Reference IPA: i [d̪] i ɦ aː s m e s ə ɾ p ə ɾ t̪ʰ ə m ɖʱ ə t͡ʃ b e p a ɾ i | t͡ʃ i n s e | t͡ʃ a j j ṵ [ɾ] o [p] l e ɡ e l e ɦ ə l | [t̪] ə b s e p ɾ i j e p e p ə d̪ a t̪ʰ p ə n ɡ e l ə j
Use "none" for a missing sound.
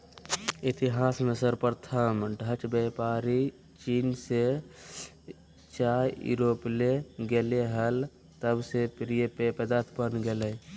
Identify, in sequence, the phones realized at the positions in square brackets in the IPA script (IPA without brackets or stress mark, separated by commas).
t̪, ɾ, p, t̪